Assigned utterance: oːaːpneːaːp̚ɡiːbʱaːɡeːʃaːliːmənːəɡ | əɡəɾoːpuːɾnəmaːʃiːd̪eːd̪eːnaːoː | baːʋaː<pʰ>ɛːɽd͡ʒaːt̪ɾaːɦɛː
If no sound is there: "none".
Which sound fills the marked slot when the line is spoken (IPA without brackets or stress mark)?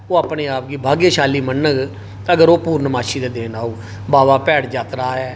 p